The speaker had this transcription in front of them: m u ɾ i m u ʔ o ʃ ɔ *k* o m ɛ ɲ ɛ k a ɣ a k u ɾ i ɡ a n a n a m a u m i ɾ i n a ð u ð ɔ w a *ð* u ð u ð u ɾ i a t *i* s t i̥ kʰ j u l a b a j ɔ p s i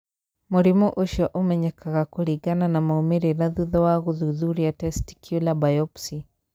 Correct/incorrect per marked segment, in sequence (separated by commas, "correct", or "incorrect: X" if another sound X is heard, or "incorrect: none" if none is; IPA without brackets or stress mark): incorrect: ʔ, incorrect: ɣ, incorrect: ɛ